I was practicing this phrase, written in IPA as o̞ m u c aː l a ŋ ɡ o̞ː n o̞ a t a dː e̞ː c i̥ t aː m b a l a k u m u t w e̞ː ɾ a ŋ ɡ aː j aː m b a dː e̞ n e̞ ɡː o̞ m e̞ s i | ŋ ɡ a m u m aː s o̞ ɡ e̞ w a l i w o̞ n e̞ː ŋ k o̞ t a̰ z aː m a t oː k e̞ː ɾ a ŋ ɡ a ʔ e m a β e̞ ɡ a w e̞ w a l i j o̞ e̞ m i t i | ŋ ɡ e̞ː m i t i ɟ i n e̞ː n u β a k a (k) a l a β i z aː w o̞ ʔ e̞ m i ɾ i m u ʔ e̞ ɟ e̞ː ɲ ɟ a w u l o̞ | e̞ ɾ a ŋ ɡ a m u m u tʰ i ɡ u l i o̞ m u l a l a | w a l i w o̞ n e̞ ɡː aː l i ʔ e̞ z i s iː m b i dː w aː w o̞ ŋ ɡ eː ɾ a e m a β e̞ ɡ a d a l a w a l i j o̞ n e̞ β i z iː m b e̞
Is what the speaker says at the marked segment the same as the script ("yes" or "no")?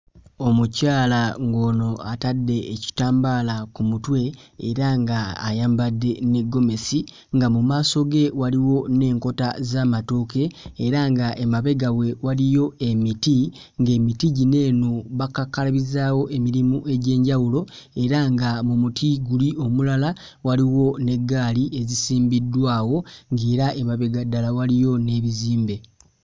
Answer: yes